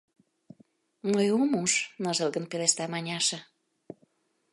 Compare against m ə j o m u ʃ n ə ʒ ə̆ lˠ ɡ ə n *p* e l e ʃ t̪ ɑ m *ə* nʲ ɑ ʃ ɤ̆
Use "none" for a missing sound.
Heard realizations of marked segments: p, ɑ

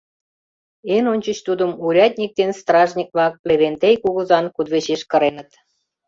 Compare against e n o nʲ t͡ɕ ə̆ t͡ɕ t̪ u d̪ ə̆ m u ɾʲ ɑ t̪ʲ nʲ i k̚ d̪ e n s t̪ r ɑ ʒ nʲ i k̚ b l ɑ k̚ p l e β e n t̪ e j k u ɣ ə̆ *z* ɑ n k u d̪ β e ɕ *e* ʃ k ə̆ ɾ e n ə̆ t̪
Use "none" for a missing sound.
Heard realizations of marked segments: z, e

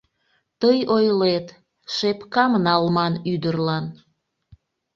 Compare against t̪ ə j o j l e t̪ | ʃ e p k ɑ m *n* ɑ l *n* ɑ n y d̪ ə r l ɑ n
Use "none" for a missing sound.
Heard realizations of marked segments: n, m

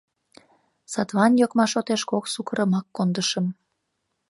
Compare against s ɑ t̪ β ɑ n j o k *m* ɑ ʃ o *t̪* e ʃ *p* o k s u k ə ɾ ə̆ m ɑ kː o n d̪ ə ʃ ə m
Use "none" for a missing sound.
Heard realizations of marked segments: m, t̪, k

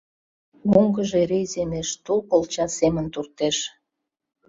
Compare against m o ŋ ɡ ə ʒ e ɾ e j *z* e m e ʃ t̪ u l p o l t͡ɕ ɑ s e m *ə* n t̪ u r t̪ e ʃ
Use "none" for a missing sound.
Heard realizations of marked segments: z, ə

